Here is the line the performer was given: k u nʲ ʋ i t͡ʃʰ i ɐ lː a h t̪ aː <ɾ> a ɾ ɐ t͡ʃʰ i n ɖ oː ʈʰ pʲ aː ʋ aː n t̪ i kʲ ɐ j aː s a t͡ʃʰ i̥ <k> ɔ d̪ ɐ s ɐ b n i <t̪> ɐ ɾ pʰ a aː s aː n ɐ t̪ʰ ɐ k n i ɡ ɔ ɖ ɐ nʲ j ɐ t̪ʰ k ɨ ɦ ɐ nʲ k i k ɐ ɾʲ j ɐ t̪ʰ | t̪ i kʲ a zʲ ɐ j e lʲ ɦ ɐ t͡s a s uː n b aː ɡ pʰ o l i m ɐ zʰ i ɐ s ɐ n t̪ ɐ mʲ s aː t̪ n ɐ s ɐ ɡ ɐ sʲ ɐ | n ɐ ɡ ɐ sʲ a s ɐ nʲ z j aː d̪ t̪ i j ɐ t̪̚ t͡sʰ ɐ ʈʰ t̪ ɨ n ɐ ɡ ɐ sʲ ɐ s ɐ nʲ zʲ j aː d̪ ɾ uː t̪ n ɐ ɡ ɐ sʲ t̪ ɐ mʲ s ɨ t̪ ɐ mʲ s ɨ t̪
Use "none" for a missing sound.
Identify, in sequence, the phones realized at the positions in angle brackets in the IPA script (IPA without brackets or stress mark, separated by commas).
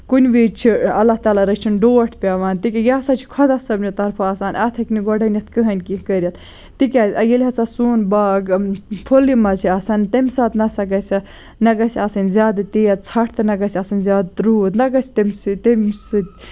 l, kʰ, t̪